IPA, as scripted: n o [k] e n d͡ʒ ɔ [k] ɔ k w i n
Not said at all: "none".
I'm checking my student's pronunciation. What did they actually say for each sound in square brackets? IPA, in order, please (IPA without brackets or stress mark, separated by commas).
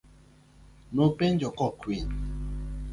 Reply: p, k